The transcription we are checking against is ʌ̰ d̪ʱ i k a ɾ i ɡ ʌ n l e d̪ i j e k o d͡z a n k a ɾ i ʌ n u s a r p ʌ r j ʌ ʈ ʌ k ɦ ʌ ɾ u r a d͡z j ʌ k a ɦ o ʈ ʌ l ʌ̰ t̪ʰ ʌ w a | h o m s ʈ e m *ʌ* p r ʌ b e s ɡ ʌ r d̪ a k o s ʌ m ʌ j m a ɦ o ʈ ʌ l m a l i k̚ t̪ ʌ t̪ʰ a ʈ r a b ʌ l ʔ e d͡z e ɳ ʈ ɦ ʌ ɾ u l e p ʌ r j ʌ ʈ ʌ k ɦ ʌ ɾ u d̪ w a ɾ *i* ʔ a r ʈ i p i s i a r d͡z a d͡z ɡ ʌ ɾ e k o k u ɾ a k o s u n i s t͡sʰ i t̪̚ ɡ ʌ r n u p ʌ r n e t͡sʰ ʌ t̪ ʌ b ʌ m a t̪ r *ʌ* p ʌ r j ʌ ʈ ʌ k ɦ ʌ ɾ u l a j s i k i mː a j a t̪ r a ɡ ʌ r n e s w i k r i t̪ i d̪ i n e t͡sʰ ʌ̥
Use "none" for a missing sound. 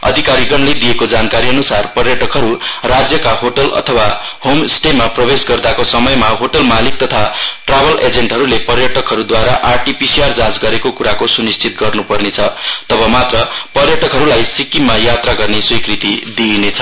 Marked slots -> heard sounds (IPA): a, a, ʌ

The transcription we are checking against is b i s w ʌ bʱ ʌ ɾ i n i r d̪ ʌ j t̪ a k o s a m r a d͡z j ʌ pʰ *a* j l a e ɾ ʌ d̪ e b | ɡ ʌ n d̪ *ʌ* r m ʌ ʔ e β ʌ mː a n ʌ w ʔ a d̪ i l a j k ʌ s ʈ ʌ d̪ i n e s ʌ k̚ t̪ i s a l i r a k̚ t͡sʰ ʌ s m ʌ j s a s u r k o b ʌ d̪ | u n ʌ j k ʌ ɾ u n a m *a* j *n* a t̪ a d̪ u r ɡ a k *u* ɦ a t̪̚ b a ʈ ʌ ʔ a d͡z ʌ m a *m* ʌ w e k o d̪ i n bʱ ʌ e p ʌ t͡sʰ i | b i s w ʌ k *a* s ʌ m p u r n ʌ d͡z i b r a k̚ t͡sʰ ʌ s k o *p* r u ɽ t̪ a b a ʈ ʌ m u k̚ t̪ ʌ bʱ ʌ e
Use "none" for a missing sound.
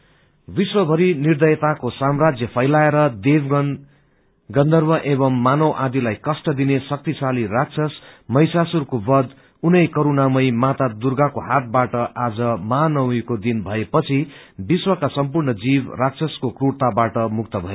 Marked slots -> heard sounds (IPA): ʌ, ʌ, ʌ, m, o, n, a, k

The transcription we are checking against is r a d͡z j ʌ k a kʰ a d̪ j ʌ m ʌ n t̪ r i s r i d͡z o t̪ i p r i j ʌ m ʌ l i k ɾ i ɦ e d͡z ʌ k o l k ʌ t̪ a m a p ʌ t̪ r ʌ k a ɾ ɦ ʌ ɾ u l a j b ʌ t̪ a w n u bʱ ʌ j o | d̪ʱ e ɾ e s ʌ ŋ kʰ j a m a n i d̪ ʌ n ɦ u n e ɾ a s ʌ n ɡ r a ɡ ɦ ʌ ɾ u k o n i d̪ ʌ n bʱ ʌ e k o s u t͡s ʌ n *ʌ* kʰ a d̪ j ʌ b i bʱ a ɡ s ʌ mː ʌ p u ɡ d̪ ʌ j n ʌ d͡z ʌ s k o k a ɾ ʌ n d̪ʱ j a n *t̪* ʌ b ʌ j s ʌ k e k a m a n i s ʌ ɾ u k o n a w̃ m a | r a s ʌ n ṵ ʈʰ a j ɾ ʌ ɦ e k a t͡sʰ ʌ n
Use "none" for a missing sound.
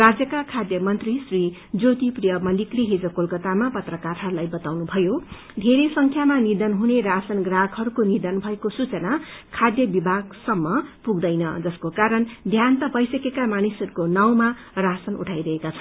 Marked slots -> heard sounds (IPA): a, t̪

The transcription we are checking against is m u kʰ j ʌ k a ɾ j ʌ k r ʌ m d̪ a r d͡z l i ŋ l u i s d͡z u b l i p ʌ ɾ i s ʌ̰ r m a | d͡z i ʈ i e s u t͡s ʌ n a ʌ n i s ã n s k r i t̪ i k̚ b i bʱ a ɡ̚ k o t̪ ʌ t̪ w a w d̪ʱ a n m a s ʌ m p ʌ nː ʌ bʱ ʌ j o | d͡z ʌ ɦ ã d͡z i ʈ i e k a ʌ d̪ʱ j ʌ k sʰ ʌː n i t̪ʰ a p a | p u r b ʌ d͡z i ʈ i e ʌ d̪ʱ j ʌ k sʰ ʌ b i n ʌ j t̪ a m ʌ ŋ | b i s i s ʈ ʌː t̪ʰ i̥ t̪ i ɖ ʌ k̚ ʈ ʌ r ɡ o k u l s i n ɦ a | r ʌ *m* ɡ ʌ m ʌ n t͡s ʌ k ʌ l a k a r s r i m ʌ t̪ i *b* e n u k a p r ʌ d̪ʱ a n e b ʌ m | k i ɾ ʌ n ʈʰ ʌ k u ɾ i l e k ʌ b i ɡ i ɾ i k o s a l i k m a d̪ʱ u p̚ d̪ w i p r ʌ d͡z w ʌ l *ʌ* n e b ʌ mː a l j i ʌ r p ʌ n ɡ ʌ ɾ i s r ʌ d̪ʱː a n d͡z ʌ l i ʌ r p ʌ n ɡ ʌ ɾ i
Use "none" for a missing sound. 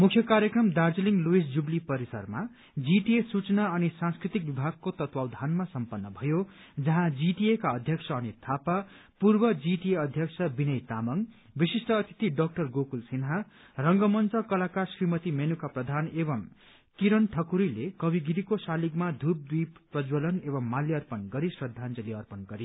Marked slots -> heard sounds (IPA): ŋ, m, ʌ

